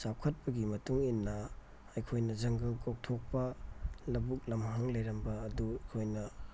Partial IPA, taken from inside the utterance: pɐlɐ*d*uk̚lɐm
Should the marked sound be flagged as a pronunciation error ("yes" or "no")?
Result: yes